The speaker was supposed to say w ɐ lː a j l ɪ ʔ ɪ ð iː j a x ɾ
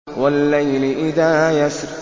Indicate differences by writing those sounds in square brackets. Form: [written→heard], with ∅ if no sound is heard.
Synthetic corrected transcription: w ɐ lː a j l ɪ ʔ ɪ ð [iː→aː] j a [x→s] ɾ

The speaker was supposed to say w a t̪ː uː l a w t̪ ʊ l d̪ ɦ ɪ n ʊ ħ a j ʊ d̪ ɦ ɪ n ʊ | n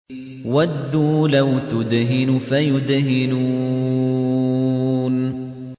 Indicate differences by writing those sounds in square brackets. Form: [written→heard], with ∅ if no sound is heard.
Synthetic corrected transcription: w a [t̪ː→d̪ː] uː l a w t̪ ʊ [l→∅] d̪ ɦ ɪ n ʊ [ħ→f] a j ʊ d̪ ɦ ɪ n [ʊ→u] | n

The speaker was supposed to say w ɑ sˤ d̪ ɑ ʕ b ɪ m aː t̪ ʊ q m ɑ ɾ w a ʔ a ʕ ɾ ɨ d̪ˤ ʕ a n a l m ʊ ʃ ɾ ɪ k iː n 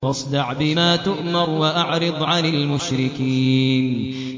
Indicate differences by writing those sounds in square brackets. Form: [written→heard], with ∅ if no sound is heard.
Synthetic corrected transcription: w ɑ sˤ d̪ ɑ ʕ b ɪ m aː t̪ ʊ [q→ʔ] m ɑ ɾ w a ʔ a ʕ ɾ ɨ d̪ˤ ʕ a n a l m ʊ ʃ ɾ ɪ k iː n

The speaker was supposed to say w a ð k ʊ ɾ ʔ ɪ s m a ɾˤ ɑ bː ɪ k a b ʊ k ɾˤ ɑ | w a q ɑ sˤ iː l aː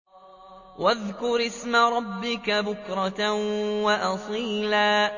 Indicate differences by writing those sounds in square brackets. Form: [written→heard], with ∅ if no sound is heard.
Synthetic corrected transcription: w a ð k ʊ ɾ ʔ ɪ s m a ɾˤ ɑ bː ɪ k a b ʊ k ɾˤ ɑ | w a [q→ʔ] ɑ sˤ iː l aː

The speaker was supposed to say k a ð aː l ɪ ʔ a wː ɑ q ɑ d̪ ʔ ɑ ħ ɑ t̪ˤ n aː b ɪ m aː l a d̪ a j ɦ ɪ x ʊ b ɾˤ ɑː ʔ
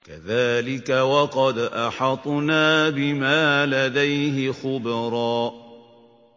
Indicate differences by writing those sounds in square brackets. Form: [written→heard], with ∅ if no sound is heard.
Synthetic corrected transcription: k a ð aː l ɪ [ʔ→k] a [wː→w] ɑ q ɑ d̪ ʔ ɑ ħ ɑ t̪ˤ n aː b ɪ m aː l a d̪ a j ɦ ɪ x ʊ b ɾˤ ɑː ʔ

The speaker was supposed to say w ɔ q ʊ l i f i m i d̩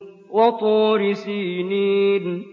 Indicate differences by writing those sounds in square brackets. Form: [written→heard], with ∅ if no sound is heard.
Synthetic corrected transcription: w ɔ [q→t] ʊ [l→ɾ] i [f→s] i [m→n] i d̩

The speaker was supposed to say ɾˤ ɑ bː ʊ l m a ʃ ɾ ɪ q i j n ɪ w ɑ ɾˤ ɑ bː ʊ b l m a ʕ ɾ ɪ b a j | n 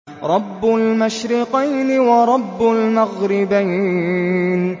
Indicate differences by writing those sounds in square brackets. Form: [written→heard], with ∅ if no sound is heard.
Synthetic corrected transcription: ɾˤ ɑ bː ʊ l m a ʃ ɾ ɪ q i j n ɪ w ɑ ɾˤ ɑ bː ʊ [b→∅] l m a [ʕ→ɣ] ɾ ɪ b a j | n

